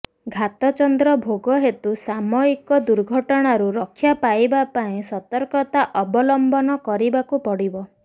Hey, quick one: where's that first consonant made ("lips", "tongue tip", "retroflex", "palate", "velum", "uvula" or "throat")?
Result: velum